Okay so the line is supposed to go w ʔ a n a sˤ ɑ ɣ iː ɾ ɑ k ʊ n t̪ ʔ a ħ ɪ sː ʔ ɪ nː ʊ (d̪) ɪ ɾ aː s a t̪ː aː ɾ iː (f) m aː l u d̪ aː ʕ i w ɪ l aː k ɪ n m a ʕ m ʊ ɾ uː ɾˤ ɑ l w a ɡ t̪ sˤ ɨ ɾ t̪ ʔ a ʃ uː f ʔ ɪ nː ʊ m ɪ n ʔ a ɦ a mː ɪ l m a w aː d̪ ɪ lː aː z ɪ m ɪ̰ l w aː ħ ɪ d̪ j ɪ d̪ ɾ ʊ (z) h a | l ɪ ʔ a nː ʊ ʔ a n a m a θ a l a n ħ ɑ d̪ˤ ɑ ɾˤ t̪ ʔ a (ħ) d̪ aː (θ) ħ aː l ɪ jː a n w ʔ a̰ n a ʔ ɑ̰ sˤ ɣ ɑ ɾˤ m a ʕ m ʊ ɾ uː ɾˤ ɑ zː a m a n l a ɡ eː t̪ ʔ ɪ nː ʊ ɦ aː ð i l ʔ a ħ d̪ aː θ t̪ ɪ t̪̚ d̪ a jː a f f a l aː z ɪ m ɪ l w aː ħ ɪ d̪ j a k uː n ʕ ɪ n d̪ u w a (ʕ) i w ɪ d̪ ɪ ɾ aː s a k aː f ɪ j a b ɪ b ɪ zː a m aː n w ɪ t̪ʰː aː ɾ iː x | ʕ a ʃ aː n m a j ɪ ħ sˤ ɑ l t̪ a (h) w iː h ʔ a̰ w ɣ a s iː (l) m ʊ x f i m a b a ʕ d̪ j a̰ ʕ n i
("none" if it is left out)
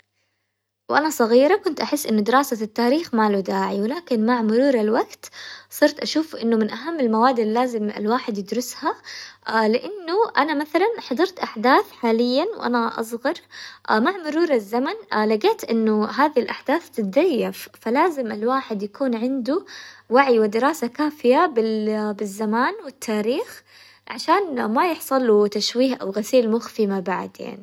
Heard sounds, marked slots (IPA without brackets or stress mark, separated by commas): d̪, x, s, ħ, θ, ʕ, ʃ, l